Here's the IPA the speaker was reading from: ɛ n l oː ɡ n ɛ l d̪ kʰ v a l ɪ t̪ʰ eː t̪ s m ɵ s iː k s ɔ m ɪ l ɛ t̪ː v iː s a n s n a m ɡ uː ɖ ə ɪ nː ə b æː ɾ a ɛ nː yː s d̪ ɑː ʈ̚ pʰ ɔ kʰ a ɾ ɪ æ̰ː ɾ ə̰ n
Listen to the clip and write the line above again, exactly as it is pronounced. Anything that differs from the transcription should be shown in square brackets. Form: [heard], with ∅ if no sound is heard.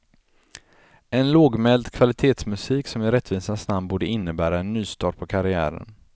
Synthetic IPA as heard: ɛ n l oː ɡ [m] ɛ l d̪ kʰ v a l ɪ t̪ʰ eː t̪ s m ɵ s iː k s ɔ m ɪ [ɾ] ɛ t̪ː v iː s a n s n a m [b] uː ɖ ə ɪ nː ə b æː ɾ a ɛ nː yː s [t̪] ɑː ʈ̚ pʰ ɔ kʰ a ɾ ɪ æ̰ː ɾ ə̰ n